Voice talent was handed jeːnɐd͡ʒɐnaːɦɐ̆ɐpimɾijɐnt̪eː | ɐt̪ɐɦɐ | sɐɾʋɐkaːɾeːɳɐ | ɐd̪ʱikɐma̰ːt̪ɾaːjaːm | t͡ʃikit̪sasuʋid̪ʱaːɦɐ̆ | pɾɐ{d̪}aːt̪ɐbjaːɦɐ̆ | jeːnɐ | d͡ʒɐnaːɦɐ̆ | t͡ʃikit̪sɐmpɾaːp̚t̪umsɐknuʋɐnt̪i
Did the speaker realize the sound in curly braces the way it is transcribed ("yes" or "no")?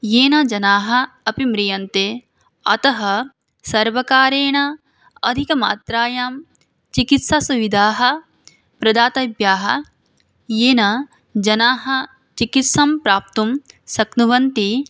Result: yes